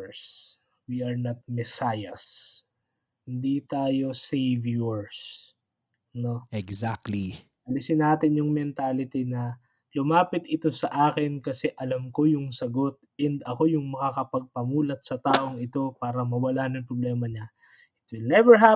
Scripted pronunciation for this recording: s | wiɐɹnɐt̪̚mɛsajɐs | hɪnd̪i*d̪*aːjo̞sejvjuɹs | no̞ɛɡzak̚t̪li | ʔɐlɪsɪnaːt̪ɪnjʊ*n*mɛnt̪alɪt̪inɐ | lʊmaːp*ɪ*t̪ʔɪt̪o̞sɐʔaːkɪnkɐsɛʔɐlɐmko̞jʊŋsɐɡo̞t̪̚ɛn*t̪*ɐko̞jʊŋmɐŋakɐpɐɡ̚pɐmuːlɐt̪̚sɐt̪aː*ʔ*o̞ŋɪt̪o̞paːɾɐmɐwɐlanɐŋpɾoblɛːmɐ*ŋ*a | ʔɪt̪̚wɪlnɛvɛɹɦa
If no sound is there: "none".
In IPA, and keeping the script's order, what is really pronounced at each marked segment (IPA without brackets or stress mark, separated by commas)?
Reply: t̪, ŋ, ɪ, d̪, ʔ, ɲ